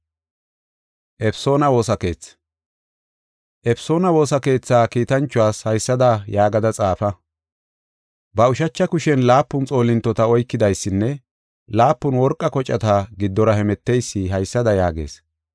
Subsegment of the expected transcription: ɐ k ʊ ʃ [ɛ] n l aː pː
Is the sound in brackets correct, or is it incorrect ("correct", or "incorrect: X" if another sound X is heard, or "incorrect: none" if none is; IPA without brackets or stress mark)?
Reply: correct